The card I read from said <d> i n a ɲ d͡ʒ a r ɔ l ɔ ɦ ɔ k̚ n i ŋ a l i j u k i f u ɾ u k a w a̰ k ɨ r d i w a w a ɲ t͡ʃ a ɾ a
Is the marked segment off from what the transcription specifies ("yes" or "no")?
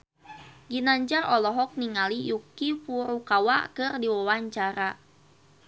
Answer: yes